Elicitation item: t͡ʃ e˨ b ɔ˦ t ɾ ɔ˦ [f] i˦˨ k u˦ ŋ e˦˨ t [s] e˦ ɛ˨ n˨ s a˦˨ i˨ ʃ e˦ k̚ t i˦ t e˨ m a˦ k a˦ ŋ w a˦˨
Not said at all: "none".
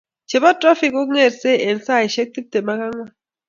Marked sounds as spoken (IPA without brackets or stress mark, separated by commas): f, s